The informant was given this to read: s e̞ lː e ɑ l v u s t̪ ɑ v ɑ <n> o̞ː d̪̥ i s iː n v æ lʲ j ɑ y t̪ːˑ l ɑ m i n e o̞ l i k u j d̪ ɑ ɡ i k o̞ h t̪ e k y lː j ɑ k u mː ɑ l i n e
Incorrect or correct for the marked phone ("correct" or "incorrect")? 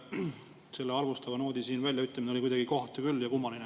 correct